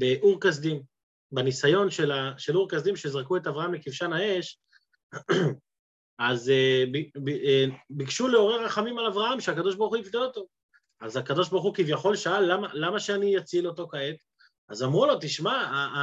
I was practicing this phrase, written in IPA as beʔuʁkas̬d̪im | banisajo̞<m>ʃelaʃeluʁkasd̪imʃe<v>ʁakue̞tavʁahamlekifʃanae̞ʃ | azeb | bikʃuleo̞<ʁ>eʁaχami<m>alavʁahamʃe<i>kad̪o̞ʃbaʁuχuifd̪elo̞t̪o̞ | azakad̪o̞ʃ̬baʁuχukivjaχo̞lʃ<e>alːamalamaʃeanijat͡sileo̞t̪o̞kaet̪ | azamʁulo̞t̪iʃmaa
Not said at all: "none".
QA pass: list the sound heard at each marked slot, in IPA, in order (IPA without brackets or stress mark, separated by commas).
n, z, ʁ, m, a, a